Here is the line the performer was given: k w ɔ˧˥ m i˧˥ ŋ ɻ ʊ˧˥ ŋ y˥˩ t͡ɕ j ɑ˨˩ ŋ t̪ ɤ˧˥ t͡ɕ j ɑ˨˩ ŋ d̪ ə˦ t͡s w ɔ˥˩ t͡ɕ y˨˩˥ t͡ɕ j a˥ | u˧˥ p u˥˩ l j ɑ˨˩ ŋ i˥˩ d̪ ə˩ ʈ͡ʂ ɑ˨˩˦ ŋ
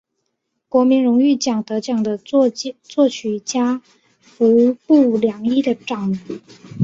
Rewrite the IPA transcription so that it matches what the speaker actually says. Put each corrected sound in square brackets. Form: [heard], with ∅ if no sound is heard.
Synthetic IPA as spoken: k w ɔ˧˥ m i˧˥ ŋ ɻ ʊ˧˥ ŋ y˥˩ t͡ɕ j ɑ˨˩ ŋ t̪ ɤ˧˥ t͡ɕ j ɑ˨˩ ŋ d̪ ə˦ t͡s w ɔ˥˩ [t͡ɕʰ] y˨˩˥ t͡ɕ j a˥ | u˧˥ p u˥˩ l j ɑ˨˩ ŋ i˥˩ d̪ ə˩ ʈ͡ʂ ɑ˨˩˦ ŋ